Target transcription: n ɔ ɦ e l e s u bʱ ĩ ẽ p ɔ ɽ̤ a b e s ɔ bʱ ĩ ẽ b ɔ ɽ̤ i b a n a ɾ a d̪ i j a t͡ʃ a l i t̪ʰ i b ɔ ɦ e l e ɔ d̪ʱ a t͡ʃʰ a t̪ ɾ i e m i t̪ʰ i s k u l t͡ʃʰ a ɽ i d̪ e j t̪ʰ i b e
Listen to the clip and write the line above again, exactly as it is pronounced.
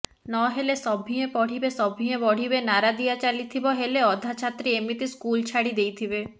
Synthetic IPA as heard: n ɔ ɦ e l e s ɔ bʱ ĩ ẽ p ɔ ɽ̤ i b e s ɔ bʱ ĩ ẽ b ɔ ɽ̤ i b e n a ɾ a d̪ i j a t͡ʃ a l i t̪ʰ i b ɔ ɦ e l e ɔ d̪ʱ a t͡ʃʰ a t̪ ɾ i e m i t̪ i s k u l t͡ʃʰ a ɽ i d̪ e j t̪ʰ i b e